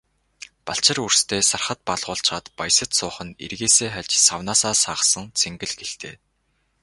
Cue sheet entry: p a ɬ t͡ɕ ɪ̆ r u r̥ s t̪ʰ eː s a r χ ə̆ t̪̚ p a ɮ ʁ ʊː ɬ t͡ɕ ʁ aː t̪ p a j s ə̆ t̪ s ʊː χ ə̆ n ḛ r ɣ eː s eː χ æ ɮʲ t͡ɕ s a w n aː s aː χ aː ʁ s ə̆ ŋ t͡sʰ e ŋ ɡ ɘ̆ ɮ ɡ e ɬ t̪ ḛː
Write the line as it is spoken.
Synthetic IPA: p a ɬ t͡ɕ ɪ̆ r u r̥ s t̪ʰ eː s a r χ ə̆ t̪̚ p a ɮ ʁ ʊː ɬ t͡ɕ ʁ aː t̪ p a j s ə̆ t̪ s ʊː χ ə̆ n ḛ r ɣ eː s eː χ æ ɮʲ t͡ɕ s a w n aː s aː s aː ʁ s ə̆ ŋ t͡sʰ e ŋ ɡ ɘ̆ ɮ ɡ e ɬ t̪ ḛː